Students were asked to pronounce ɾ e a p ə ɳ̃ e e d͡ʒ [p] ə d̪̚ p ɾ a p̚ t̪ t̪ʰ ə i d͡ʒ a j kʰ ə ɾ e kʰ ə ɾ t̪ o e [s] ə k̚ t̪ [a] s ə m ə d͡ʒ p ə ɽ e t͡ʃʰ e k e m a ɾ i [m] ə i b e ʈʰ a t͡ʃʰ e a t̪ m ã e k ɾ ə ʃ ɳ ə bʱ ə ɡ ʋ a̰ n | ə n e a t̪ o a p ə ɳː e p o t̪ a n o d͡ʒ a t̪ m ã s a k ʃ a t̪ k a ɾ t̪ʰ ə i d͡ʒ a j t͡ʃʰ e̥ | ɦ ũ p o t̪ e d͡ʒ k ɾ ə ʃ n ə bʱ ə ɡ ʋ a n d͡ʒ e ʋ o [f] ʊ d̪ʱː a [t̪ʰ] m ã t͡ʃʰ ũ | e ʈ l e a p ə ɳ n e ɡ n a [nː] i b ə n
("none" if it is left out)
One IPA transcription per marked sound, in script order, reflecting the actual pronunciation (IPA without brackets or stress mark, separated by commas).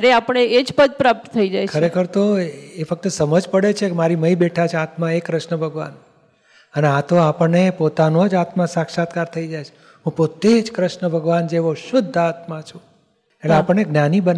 p, f, ə, m, ʃ, t̪, n